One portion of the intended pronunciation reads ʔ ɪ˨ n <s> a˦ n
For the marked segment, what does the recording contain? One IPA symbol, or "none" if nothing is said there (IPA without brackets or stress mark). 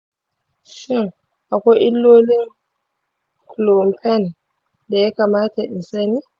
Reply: s